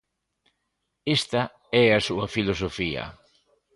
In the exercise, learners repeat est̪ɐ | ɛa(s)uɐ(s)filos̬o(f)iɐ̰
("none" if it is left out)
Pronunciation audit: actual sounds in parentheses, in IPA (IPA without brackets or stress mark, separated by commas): s, none, f